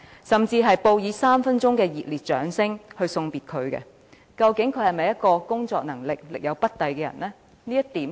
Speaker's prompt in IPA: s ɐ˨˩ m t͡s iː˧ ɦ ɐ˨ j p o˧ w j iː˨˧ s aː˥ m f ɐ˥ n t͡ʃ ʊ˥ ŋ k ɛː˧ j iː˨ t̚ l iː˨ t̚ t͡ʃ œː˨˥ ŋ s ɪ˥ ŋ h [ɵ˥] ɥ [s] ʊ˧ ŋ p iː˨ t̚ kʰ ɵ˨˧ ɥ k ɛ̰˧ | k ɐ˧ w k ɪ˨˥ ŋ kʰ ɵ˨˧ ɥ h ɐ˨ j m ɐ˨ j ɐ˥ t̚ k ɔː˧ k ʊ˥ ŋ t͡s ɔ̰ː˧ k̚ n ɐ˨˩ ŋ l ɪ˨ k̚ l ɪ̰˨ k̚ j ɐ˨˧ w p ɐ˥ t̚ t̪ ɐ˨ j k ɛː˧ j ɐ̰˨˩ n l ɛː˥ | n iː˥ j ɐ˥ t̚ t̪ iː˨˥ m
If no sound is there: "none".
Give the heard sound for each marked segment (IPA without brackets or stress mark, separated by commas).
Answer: ɵ˧, s